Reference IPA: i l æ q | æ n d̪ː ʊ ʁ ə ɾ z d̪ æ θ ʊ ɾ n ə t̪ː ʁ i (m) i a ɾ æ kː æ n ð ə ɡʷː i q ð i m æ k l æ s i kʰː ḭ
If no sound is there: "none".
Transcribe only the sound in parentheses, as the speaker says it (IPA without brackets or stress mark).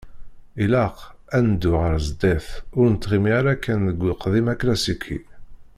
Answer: m